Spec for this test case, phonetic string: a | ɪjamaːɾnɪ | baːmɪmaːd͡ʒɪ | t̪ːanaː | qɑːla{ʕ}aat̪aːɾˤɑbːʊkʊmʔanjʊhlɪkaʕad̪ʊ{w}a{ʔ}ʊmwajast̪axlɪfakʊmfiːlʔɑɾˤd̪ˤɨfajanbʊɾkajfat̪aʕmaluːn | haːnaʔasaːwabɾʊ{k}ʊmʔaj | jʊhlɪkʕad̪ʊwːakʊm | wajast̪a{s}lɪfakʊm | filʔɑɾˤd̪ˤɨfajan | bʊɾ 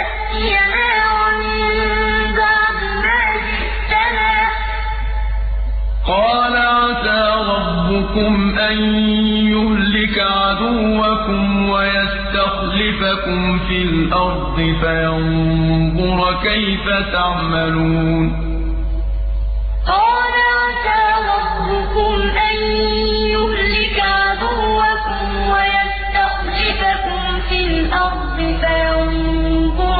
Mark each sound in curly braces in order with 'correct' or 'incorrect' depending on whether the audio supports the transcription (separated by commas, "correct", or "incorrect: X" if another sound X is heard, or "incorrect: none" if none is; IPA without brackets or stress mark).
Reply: correct, incorrect: wː, incorrect: k, correct, incorrect: x